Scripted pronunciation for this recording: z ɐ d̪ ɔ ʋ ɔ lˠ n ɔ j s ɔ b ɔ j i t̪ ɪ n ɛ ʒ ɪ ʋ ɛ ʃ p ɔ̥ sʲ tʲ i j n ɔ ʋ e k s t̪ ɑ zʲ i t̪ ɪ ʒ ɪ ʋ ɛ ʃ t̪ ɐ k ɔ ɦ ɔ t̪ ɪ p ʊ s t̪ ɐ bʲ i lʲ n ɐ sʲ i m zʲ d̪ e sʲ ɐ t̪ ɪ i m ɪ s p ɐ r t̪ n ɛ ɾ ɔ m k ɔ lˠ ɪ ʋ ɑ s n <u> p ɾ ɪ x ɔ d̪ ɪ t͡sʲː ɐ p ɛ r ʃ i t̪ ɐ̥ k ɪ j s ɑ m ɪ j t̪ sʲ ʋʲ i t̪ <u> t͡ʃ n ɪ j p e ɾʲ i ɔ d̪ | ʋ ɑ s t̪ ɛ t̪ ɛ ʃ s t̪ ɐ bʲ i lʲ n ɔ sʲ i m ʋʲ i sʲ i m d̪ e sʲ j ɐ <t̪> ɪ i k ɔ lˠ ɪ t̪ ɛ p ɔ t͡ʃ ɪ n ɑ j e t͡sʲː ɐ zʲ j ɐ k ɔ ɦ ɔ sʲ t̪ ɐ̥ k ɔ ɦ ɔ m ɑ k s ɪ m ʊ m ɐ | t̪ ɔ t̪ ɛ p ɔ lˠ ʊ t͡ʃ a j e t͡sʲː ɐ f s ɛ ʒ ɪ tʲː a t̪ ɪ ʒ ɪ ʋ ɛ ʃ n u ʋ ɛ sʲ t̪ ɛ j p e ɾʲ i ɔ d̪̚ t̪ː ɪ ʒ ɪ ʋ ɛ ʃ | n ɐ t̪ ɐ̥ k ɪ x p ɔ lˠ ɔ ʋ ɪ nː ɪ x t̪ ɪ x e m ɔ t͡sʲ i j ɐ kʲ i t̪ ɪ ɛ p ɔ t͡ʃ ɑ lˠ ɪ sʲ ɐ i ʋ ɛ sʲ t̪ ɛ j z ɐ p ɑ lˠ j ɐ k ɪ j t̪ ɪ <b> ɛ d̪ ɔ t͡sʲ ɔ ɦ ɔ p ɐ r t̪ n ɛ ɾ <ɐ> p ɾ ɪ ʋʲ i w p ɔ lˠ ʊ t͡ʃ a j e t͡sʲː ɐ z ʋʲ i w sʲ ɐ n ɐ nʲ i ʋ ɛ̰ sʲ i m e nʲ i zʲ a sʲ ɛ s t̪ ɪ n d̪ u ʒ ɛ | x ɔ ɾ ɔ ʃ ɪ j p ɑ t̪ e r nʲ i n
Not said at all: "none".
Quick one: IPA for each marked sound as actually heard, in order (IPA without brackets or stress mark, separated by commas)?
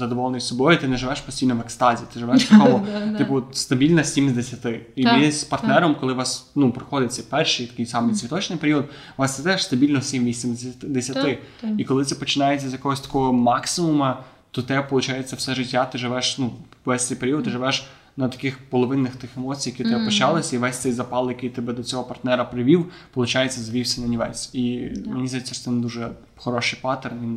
u, ɔ, t̪, b, ɐ